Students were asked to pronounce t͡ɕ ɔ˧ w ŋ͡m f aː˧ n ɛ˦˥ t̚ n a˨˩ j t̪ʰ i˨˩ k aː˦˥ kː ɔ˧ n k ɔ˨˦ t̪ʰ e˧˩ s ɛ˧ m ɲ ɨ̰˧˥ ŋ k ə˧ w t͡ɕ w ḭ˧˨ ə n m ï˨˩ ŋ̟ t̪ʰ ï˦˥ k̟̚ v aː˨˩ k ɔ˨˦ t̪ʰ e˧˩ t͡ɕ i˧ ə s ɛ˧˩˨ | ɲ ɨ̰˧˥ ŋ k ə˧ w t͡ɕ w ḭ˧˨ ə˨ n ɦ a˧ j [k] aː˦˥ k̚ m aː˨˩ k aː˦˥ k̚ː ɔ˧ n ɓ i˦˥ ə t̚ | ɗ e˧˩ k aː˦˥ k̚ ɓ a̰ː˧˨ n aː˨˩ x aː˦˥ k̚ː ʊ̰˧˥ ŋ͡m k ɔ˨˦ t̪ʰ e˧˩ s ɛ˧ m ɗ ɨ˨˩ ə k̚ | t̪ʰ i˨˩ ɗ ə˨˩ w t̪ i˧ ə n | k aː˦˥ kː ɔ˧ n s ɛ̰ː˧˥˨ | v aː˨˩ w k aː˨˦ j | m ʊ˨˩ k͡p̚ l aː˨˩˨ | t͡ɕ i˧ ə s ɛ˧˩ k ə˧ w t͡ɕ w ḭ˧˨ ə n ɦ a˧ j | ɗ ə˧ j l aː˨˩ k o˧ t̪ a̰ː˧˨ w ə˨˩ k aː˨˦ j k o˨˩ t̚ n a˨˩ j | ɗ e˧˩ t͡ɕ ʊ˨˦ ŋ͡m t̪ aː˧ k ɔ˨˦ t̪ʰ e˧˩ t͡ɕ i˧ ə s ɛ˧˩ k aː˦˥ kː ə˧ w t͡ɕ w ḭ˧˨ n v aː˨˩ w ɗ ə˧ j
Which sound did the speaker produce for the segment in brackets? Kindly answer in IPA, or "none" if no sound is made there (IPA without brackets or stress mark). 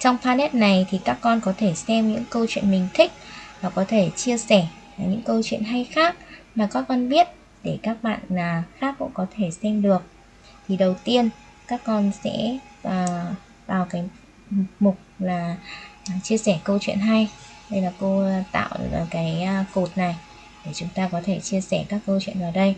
x